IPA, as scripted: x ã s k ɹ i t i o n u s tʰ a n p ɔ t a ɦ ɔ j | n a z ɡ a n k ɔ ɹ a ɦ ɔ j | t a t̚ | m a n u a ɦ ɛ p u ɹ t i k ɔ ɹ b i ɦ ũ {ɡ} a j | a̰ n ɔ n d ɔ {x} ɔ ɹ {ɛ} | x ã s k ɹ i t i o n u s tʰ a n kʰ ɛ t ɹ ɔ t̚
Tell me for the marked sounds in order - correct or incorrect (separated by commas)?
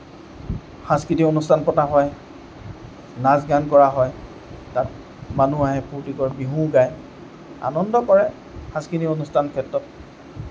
correct, incorrect, correct